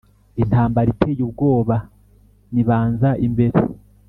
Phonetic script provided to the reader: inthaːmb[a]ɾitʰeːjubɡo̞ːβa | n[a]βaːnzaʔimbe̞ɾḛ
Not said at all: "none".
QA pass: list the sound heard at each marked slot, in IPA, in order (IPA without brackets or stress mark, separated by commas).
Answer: a, i